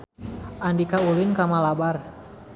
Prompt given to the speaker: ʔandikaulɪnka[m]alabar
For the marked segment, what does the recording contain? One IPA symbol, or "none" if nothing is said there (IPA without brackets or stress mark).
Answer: m